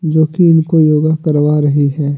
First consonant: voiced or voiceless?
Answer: voiced